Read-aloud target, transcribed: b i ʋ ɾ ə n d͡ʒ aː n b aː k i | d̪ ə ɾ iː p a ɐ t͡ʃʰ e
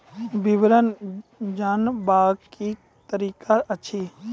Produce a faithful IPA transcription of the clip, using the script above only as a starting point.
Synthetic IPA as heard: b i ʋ ɾ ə n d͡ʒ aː n b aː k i | t̪ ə ɾ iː k a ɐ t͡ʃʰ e